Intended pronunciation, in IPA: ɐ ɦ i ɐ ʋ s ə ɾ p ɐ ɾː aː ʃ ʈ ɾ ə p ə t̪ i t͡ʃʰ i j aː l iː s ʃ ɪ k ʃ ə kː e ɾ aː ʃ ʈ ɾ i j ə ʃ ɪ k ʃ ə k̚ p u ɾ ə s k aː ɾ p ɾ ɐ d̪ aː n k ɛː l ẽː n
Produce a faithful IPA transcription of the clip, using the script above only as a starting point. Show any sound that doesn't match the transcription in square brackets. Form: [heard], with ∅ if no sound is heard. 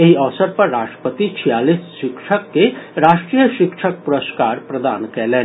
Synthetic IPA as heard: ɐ ɦ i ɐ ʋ s ə ɾ p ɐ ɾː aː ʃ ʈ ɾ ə p ə t̪ i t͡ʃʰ i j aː l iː s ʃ ɪ k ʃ ə kː e ɾ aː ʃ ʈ ɾ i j ə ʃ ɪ k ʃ ə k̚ p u ɾ ə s k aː ɾ p ɾ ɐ d̪ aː n k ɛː l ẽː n